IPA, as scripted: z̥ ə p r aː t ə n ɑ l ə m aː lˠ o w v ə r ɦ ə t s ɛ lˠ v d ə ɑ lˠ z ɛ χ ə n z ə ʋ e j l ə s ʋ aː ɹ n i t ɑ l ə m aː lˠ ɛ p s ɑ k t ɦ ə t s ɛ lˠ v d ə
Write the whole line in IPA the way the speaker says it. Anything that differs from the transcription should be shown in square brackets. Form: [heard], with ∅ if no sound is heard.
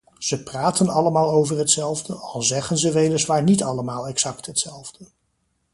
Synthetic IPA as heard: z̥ ə p r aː t ə n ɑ l ə m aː lˠ o w v ə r ɦ ə t s ɛ lˠ v d ə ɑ lˠ z ɛ χ ə n z ə ʋ e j l ə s ʋ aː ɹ n i t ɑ l ə m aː lˠ ɛ [k] s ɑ k t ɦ ə t s ɛ lˠ v d ə

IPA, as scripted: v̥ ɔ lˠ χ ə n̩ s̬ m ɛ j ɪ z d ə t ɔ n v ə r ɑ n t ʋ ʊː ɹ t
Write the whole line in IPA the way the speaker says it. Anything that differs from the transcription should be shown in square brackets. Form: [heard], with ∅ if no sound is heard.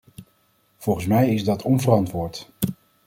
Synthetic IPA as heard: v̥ ɔ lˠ χ ə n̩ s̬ m ɛ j ɪ z d [ɑ] t ɔ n v ə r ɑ n t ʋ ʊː ɹ t

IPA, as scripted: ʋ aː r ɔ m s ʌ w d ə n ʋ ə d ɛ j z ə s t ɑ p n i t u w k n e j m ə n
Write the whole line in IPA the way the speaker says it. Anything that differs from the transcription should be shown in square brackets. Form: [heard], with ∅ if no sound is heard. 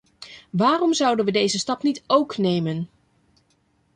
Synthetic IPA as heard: ʋ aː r ɔ m [z] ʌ w d ə n ʋ ə d [e] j z ə s t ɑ p n i t [o] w k n e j m ə n

